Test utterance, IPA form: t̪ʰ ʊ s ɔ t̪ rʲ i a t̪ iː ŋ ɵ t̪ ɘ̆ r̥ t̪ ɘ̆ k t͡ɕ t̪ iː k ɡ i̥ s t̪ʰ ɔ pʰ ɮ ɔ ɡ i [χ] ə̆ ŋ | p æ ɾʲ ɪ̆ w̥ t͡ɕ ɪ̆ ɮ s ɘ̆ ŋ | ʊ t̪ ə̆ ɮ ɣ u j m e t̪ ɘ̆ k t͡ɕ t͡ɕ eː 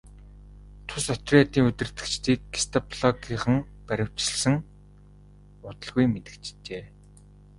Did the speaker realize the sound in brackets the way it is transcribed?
yes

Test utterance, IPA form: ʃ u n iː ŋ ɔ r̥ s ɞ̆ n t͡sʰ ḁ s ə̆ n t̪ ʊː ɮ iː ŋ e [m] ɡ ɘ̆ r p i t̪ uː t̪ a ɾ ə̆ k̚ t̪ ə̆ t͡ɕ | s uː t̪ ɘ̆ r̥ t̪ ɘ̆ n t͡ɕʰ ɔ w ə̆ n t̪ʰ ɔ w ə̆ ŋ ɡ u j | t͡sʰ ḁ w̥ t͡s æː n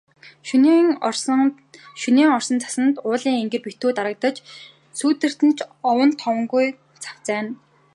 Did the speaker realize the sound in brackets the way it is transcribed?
no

